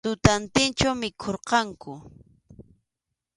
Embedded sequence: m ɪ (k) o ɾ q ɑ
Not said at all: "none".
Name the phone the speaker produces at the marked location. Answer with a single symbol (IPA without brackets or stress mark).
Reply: kʰ